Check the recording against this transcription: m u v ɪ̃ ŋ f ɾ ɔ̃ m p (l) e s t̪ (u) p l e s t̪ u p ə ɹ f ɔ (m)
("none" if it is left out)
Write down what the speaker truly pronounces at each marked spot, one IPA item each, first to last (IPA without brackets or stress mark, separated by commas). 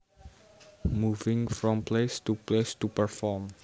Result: l, u, m